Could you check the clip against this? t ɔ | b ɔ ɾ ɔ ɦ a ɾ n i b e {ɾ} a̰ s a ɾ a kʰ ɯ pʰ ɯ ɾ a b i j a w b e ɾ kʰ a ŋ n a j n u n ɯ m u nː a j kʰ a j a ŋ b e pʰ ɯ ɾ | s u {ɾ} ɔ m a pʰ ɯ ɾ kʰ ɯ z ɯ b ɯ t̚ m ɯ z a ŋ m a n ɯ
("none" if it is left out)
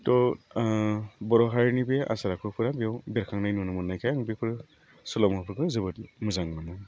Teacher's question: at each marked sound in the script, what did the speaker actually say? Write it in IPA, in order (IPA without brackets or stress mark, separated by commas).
none, l